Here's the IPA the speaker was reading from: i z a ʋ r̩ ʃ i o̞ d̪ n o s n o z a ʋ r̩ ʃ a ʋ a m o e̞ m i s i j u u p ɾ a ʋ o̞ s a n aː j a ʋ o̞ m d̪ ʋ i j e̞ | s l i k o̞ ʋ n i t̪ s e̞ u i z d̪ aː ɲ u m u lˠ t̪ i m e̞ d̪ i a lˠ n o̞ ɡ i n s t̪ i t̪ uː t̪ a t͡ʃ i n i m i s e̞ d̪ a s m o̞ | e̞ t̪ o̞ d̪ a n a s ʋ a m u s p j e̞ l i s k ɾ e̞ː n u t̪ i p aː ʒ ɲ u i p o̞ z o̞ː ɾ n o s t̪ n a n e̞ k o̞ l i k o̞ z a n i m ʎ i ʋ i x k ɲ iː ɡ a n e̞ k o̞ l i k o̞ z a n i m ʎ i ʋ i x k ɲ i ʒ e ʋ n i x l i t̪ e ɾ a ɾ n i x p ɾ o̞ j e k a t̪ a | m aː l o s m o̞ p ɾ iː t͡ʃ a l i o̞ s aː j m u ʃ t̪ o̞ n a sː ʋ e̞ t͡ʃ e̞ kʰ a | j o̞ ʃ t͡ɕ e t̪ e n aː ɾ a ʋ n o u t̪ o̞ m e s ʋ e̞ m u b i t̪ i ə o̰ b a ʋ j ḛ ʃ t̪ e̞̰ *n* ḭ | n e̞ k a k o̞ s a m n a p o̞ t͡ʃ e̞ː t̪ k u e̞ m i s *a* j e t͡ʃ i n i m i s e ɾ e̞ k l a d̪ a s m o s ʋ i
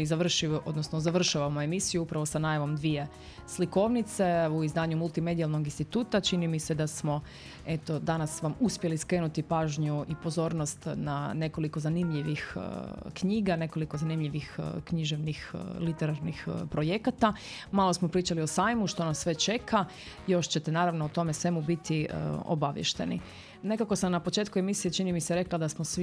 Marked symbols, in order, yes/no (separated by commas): yes, no